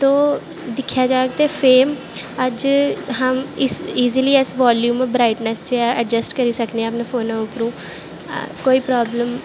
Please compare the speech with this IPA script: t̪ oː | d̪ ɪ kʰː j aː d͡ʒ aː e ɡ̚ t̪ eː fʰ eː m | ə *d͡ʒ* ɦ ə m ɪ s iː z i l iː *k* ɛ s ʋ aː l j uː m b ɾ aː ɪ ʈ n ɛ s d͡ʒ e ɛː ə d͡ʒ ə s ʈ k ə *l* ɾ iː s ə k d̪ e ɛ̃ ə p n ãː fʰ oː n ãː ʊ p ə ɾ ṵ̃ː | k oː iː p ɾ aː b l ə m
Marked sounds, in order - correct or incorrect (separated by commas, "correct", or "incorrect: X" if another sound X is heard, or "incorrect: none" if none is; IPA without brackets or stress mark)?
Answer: correct, incorrect: none, incorrect: none